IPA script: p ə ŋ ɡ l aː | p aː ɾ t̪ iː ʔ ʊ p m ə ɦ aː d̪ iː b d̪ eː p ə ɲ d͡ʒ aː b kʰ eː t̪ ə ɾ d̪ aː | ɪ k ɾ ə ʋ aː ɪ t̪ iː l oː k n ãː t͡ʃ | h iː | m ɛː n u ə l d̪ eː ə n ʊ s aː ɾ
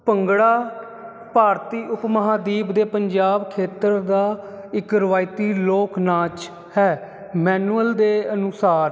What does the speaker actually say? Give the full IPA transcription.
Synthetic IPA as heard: p ə ŋ ɡ ɽ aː | p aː ɾ t̪ iː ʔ ʊ p m ə ɦ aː d̪ iː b d̪ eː p ə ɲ d͡ʒ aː b kʰ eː t̪ ə ɾ d̪ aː | ɪ k ɾ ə ʋ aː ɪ t̪ iː l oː k n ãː t͡ʃ | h ɛː | m ɛː n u ə l d̪ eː ə n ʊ s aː ɾ